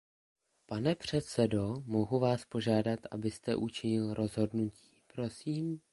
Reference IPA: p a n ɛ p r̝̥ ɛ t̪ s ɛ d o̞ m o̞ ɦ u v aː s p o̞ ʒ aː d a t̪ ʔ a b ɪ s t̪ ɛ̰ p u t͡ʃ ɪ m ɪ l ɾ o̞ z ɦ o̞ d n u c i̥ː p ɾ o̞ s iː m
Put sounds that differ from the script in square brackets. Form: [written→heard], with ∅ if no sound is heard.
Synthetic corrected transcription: p a n ɛ p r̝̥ ɛ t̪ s ɛ d o̞ m o̞ ɦ u v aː s p o̞ ʒ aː d a t̪ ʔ a b ɪ s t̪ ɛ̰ [p→ʔ] u t͡ʃ ɪ [m→ɲ] ɪ l ɾ o̞ z ɦ o̞ d n u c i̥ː p ɾ o̞ s iː m